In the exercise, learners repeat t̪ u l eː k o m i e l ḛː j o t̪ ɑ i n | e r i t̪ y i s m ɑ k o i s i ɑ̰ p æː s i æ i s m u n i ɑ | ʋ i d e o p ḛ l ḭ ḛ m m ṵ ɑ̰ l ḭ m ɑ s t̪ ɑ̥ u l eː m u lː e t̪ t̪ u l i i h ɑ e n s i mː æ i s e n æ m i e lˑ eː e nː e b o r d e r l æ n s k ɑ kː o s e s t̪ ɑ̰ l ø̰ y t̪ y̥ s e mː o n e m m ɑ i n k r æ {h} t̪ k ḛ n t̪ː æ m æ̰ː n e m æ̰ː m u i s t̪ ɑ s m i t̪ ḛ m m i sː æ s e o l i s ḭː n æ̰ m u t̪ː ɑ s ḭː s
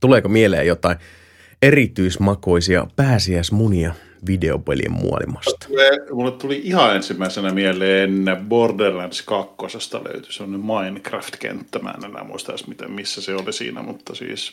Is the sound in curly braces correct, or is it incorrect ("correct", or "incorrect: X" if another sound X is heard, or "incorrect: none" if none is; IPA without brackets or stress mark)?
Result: incorrect: f